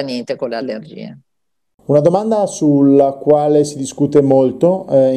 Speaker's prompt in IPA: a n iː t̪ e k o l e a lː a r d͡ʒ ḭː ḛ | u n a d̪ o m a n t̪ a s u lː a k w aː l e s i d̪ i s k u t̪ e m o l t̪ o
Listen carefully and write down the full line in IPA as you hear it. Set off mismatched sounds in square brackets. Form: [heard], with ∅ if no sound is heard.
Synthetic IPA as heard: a n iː t̪ e k o l e a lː [e] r d͡ʒ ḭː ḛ | u n a d̪ o m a n [d̪] a s u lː a k w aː l e s i d̪ i s k u t̪ e m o l t̪ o